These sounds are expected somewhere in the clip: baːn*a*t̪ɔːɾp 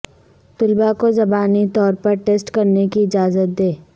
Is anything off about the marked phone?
yes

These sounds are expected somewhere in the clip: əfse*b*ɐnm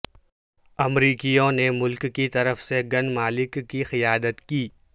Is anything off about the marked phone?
yes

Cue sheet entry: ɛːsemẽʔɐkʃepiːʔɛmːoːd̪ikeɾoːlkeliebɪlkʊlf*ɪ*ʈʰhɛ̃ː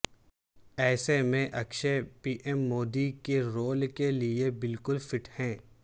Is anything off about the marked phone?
no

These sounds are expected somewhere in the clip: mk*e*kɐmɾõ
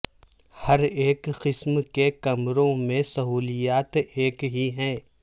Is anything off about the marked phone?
no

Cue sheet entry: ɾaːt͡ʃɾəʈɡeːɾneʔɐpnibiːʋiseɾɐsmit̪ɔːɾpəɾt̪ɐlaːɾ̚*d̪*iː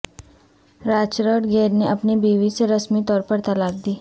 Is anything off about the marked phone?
no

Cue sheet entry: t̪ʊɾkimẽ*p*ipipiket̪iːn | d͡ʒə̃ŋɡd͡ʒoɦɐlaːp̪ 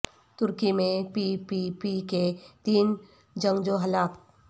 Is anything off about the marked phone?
no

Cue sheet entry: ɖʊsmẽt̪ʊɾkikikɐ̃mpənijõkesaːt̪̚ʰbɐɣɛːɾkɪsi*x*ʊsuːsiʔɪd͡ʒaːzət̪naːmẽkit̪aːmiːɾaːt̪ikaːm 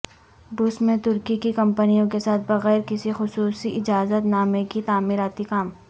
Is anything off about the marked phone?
no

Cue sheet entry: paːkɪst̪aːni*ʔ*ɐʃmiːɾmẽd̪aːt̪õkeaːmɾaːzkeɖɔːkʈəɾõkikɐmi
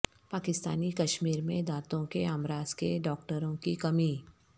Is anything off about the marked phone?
yes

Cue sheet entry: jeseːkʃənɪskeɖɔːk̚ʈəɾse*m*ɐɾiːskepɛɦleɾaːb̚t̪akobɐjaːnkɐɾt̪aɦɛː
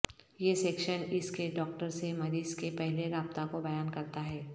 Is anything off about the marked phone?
no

